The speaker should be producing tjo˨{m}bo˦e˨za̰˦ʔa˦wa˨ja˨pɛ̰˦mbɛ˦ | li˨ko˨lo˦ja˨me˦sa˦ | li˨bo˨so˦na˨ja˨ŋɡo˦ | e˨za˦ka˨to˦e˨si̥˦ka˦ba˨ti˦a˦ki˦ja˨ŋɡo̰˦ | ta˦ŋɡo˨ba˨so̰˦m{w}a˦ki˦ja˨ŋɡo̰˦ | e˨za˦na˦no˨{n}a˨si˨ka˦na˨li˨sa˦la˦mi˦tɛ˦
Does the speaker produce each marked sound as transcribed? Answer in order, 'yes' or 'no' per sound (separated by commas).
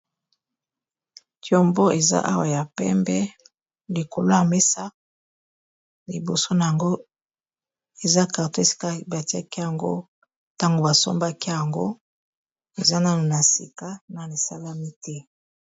yes, no, yes